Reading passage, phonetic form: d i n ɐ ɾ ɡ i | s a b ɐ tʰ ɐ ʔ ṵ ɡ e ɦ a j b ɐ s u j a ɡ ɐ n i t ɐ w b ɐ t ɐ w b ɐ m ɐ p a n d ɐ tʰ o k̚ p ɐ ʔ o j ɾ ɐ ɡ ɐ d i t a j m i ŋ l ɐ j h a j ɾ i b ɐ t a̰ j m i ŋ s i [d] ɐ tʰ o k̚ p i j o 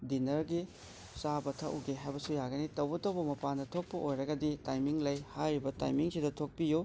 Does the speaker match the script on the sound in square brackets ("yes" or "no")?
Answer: yes